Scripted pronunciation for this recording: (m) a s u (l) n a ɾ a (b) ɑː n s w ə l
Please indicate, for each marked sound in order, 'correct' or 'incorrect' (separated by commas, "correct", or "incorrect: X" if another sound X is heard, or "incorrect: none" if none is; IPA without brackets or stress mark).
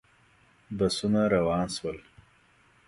incorrect: b, incorrect: none, incorrect: w